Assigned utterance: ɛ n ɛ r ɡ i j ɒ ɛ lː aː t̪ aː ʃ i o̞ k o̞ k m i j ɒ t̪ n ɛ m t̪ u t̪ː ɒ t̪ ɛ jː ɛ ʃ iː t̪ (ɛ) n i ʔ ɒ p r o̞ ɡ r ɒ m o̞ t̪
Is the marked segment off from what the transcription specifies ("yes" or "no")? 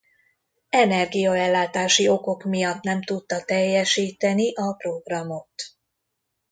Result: no